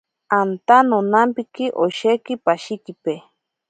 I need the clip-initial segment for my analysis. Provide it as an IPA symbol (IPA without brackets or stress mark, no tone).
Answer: a